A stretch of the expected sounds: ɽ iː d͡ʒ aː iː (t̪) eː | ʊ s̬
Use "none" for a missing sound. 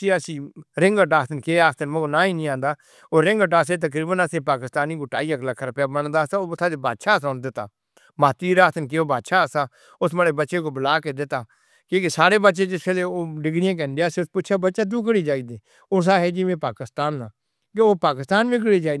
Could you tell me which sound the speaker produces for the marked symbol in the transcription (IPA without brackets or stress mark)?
d̪